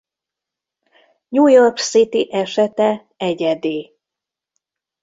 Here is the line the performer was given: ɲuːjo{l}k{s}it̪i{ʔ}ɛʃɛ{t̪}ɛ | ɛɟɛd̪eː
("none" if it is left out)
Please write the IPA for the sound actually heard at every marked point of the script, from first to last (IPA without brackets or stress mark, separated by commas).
r, s, ʔ, t̪